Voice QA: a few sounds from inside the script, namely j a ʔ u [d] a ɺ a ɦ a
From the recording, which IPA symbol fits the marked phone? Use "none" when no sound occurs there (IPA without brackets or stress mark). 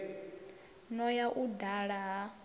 d